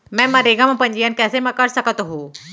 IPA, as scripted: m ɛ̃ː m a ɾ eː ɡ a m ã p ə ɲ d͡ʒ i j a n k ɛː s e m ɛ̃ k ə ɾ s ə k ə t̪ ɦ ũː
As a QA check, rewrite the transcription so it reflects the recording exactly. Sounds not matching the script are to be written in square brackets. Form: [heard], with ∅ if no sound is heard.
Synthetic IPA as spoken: m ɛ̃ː m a ɾ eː ɡ a m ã p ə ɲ d͡ʒ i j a n k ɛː s e m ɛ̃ k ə ɾ s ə k ə t̪ ɦ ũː